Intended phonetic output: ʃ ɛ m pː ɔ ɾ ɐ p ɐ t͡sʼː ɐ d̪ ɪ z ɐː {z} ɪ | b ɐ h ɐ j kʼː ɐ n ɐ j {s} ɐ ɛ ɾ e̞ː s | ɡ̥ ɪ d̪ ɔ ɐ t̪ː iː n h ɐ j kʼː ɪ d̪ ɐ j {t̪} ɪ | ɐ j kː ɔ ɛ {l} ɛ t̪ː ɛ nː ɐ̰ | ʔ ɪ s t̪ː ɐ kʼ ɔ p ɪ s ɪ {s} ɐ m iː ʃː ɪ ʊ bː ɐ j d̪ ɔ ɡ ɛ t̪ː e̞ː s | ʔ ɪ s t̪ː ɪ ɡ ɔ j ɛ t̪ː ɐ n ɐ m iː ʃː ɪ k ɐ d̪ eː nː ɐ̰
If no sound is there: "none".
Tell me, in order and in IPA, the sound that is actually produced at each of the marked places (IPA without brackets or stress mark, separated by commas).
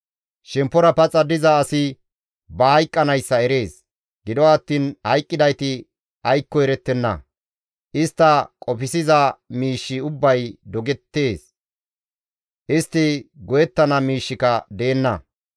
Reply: s, sː, t̪, ɾ, z